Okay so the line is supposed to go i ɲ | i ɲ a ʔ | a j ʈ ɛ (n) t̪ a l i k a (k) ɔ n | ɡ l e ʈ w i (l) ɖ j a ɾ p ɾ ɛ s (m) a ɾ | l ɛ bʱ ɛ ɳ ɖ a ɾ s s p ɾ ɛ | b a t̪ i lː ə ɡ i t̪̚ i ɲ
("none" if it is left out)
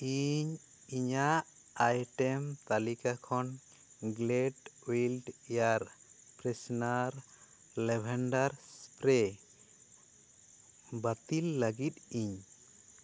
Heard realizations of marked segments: m, kʰ, l, n

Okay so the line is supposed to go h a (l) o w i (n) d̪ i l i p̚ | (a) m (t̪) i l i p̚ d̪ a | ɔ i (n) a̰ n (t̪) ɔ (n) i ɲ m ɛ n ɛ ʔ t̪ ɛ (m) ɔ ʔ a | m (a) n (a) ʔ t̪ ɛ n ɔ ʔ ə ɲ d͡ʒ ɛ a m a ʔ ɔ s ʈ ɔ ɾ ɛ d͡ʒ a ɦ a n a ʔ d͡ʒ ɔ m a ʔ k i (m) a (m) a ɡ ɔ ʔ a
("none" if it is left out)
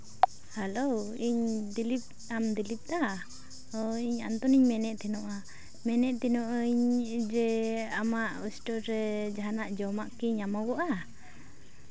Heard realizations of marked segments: l, ɲ, a, d̪, ɲ, t̪, n, n, ɛ, ɛ, ɲ, m

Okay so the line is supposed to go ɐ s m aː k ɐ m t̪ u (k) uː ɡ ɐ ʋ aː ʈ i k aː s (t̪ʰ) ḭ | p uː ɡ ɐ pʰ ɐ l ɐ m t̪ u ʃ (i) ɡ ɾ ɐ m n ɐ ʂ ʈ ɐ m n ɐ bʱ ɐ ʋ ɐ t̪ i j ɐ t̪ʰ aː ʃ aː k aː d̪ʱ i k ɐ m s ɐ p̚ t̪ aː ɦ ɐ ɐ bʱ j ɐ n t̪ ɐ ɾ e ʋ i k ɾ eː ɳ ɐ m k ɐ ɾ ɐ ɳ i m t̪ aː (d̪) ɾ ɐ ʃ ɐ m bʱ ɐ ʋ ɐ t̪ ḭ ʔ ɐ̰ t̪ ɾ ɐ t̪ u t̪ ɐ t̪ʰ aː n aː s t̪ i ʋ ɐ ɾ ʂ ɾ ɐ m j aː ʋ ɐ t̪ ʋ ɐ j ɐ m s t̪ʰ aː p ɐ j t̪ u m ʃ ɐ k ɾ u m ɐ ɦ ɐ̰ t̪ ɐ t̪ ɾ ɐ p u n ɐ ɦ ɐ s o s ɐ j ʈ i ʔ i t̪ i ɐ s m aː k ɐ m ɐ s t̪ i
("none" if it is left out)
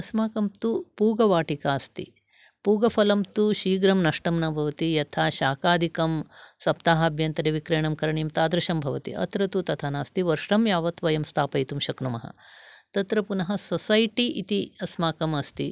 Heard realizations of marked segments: p, t̪, iː, d̪

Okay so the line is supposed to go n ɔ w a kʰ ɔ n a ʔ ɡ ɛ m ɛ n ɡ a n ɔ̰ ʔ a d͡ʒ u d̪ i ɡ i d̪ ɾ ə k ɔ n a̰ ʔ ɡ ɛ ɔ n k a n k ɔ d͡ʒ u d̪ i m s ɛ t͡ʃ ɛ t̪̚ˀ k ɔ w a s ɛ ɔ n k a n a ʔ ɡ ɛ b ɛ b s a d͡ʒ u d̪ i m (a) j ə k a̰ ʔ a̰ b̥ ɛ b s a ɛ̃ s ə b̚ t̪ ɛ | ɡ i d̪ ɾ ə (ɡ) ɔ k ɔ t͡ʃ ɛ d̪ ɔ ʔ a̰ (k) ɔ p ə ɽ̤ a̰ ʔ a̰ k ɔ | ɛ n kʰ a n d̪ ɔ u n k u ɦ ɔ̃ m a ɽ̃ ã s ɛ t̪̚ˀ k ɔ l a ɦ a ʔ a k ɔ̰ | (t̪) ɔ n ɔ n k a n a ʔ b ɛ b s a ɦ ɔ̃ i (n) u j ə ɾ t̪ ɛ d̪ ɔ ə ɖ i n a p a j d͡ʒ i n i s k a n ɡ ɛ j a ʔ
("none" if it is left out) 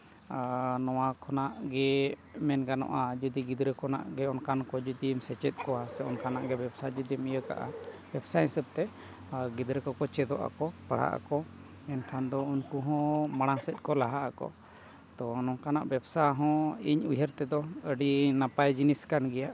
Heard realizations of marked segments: i, k, k, t̪, ɲ

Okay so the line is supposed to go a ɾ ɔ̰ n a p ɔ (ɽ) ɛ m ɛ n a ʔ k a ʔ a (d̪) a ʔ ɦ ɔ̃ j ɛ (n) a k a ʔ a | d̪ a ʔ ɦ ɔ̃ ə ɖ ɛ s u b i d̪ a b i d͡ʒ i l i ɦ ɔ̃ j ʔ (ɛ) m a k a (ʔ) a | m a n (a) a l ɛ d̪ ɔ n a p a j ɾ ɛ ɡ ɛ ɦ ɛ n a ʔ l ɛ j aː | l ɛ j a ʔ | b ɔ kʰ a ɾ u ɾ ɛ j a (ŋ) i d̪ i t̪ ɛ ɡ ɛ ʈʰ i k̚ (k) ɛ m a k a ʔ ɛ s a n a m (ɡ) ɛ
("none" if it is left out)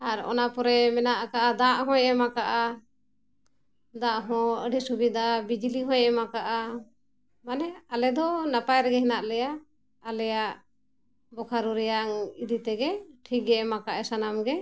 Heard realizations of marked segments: ɾ, d̪, m, ɛ, ʔ, ɛ, ŋ, ɡ, ɡ

